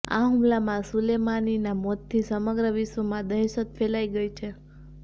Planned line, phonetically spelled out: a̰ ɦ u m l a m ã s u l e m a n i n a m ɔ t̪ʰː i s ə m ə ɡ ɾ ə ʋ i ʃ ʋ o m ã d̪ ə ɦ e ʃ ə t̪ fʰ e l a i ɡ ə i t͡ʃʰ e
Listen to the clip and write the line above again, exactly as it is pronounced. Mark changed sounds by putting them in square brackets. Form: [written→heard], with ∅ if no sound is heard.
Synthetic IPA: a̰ ɦ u m l a m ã s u l e m a n i n a m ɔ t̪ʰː i s ə m ə ɡ ɾ ə ʋ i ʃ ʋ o m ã d̪ ə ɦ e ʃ ə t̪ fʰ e l a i ɡ ə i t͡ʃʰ e